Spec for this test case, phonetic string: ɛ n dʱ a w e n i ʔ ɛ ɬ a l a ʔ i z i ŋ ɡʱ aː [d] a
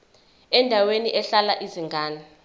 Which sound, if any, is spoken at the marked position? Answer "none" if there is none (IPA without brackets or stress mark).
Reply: n